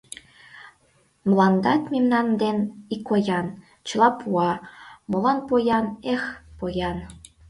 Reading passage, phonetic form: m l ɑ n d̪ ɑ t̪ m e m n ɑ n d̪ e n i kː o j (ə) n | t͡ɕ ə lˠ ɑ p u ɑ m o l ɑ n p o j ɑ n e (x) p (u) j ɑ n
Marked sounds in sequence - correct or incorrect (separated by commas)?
incorrect, correct, incorrect